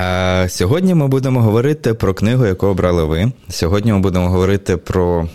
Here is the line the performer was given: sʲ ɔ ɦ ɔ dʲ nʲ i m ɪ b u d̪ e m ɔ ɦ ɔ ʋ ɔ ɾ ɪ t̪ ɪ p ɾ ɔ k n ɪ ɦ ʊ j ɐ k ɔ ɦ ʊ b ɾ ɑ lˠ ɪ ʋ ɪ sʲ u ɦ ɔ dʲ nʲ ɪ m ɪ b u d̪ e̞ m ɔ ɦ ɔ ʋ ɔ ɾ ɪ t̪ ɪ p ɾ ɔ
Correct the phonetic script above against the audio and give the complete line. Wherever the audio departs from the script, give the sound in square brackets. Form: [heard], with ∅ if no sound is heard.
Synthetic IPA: sʲ ɔ ɦ ɔ dʲ nʲ i m ɪ b u d̪ e m ɔ ɦ ɔ ʋ ɔ ɾ ɪ t̪ ɪ p ɾ ɔ k n ɪ ɦ ʊ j ɐ k ɔ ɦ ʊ b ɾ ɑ lˠ ɪ ʋ ɪ sʲ [ɔ] ɦ ɔ dʲ nʲ [i] m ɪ b u d̪ e̞ m ɔ ɦ ɔ ʋ ɔ ɾ ɪ t̪ ɪ p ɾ ɔ